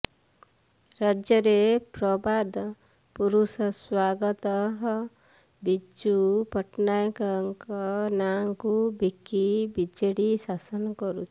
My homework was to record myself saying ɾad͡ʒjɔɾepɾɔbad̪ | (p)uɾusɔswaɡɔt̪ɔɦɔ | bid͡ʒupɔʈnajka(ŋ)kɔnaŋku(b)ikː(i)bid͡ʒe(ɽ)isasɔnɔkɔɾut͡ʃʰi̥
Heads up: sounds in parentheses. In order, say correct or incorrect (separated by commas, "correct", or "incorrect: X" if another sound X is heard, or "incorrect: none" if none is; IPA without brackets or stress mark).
correct, correct, correct, correct, correct